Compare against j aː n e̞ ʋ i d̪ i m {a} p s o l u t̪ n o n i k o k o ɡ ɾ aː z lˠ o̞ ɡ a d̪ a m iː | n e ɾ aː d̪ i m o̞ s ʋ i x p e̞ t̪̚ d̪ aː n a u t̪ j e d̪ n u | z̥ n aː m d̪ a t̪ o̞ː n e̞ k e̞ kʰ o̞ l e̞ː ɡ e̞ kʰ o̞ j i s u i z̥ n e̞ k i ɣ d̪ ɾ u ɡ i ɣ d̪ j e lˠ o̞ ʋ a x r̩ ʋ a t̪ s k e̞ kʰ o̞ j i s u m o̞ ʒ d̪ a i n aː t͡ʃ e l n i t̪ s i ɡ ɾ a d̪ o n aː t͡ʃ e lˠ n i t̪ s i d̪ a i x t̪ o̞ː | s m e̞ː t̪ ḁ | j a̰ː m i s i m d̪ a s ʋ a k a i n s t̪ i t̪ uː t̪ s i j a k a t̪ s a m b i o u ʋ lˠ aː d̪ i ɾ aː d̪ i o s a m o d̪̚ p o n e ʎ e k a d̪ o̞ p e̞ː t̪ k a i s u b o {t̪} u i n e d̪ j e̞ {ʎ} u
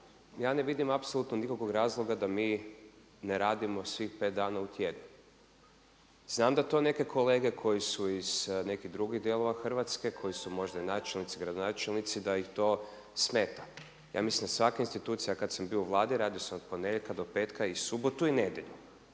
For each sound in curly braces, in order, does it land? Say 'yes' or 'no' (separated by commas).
yes, yes, yes